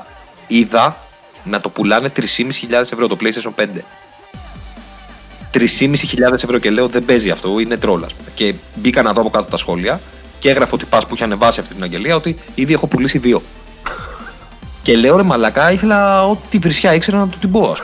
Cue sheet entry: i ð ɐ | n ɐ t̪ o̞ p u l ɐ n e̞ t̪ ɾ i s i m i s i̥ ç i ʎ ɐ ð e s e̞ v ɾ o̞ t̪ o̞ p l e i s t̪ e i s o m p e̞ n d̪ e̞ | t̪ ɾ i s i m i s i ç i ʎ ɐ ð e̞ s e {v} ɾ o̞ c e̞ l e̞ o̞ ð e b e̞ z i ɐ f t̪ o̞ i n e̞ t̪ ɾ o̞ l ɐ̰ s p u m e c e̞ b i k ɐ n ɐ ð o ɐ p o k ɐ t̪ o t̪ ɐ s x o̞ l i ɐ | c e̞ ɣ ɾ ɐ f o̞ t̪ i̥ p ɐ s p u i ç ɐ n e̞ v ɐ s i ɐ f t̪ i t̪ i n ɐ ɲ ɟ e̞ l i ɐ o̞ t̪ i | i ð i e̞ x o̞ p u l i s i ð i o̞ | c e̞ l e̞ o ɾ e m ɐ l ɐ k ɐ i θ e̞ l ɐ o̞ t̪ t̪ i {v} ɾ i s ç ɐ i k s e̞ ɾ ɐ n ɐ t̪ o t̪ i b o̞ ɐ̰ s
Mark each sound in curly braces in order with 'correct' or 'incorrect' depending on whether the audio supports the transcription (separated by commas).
correct, correct